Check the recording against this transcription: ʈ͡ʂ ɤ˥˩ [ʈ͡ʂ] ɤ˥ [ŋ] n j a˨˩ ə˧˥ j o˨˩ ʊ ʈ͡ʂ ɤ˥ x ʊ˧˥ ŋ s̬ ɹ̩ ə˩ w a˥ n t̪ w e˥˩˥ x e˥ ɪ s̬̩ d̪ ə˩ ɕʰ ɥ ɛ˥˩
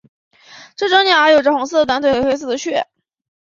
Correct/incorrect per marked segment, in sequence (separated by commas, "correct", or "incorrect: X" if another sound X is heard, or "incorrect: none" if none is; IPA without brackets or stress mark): correct, correct